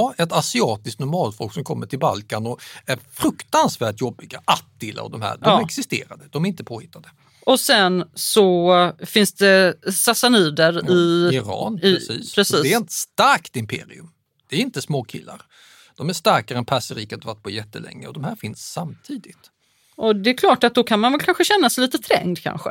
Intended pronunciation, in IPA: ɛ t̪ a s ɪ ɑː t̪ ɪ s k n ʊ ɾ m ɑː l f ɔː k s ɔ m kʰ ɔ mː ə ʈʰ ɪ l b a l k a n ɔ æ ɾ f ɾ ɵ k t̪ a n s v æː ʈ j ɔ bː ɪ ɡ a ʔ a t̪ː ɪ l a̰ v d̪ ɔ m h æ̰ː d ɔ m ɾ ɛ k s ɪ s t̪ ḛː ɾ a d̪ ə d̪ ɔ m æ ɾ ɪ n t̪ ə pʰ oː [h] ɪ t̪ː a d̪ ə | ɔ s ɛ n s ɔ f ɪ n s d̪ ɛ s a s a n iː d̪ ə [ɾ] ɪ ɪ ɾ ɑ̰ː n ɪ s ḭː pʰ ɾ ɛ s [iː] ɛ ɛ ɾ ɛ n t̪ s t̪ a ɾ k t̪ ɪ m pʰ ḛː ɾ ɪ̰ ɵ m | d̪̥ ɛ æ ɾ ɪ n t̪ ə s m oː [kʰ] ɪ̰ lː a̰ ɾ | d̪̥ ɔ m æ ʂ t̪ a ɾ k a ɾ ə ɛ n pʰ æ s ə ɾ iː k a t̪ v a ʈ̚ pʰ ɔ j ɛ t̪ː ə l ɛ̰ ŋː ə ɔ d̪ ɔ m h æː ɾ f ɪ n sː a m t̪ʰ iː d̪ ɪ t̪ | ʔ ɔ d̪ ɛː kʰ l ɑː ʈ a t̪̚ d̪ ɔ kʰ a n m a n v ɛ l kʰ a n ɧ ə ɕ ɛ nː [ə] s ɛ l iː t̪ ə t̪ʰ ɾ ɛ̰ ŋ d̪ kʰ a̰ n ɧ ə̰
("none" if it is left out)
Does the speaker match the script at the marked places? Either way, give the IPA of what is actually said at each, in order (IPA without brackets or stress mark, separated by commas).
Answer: h, ɾ, iː, kʰ, a